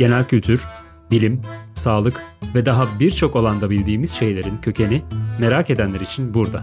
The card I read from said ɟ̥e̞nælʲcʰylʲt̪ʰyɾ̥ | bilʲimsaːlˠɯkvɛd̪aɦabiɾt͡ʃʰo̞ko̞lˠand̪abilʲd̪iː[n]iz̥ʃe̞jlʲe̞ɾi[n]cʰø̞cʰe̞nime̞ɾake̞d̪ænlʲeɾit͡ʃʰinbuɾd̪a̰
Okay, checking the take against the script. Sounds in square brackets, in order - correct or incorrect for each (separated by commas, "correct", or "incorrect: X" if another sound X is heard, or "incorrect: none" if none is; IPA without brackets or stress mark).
incorrect: m, correct